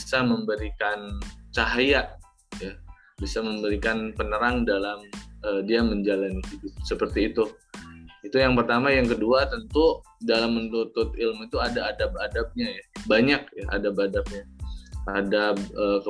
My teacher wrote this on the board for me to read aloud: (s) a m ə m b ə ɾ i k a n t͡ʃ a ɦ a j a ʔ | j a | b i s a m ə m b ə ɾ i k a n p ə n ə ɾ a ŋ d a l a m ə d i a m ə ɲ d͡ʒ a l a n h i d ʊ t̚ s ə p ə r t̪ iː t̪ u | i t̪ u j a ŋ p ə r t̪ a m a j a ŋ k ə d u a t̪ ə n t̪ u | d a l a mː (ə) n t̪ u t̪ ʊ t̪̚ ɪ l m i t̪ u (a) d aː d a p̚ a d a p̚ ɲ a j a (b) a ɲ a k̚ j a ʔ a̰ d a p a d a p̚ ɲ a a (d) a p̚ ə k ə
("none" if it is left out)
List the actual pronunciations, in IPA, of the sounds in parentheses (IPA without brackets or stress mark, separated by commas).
s, ə, a, b, d